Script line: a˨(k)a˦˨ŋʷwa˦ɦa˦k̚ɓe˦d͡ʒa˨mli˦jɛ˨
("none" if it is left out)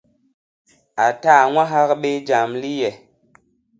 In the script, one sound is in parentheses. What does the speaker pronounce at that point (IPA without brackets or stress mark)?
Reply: t